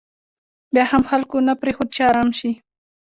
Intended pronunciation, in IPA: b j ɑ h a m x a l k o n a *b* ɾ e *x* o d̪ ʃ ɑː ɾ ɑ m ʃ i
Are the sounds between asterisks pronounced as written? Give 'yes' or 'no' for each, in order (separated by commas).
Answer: no, yes